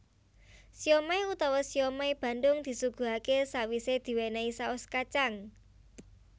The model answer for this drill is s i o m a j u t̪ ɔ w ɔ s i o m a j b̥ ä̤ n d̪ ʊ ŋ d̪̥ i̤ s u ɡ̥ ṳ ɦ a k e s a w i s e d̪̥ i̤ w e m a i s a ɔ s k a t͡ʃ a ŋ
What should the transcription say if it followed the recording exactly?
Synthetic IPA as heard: s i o m a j u t̪ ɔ w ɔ s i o m a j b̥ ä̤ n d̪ ʊ ŋ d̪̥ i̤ s u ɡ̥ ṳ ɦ a k e s a w i s e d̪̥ i̤ w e n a i s a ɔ s k a t͡ʃ a ŋ